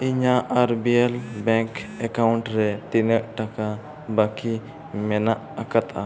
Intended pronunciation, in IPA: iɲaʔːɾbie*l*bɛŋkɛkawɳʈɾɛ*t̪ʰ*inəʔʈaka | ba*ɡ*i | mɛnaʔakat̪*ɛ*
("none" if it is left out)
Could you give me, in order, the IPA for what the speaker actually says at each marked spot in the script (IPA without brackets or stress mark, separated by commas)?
l, t̪, k, a